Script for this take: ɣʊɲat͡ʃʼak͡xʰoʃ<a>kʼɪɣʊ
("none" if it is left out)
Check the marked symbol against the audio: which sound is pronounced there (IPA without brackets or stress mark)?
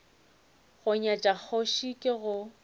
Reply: i